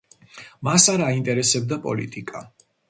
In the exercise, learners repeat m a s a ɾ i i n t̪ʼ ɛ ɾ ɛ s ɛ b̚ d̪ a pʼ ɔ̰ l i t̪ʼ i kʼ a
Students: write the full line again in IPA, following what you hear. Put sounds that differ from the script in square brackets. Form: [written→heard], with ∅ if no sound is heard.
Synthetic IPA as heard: m a s a ɾ [i→a] i n t̪ʼ ɛ ɾ ɛ s ɛ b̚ d̪ a pʼ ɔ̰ l i t̪ʼ i kʼ a